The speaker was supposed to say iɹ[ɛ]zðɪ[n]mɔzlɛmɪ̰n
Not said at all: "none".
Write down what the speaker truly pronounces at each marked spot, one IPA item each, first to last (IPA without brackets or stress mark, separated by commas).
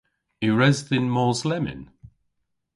ɛ, n